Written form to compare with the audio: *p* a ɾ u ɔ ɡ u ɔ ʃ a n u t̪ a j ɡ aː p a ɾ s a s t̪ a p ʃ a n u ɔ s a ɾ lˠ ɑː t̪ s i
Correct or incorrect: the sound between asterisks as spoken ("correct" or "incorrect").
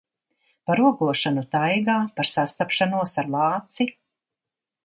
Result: correct